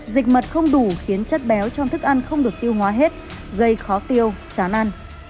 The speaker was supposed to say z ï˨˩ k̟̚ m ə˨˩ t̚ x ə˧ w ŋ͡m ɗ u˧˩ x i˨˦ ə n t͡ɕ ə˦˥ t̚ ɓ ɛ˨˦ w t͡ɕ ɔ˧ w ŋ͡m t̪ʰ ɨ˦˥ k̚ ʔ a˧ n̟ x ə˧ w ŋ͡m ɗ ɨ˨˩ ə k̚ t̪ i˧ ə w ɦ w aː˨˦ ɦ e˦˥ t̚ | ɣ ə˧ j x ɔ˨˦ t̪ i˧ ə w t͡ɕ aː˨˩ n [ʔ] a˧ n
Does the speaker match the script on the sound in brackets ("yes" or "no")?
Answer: yes